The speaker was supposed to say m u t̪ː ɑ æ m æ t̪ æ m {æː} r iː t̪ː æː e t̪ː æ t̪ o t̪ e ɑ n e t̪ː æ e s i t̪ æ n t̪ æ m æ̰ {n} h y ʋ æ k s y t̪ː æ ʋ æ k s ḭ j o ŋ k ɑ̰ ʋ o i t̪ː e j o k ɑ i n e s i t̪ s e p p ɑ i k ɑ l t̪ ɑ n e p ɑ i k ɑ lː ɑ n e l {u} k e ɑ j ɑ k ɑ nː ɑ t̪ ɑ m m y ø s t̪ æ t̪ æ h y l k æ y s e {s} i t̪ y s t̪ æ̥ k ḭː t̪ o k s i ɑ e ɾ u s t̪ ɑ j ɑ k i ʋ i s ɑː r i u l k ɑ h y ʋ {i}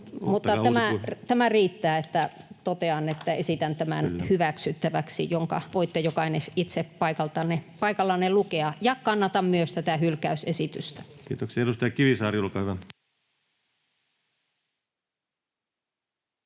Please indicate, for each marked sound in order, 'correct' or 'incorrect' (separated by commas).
incorrect, correct, correct, correct, incorrect